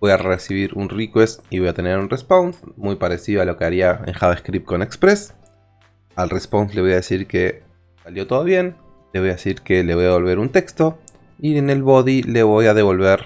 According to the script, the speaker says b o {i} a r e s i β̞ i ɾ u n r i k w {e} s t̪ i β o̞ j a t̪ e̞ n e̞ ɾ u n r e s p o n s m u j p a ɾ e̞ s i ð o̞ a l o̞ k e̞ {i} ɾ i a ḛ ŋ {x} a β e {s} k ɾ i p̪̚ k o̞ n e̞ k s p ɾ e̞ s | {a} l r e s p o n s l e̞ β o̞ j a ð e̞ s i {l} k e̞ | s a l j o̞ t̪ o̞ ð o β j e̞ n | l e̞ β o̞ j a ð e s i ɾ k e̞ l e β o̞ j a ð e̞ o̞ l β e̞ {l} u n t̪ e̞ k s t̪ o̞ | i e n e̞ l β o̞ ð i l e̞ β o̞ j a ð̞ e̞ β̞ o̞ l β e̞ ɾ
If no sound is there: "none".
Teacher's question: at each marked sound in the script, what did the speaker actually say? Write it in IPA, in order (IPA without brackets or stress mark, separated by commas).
j, e, a, x, s, a, ɾ, ɾ